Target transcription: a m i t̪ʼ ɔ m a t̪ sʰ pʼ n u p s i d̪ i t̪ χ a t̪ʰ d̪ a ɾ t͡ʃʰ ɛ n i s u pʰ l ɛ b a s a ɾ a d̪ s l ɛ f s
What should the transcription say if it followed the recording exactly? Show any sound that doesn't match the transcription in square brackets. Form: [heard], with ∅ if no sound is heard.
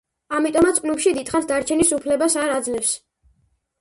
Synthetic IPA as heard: a m i t̪ʼ ɔ m a t̪ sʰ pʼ n u p [ʃ] i d̪ i t̪ χ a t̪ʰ d̪ a ɾ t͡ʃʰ ɛ n i s u pʰ l ɛ b a s a ɾ a d̪ [z] l ɛ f s